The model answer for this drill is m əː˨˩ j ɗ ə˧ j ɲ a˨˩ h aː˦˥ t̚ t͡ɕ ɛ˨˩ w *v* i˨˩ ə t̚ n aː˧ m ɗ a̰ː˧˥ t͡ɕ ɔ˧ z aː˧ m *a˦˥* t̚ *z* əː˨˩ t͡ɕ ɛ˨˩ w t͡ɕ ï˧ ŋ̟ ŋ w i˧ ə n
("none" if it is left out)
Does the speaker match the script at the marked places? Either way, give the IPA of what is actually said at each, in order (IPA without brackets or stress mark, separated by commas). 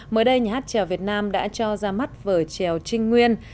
v, a˦˥, v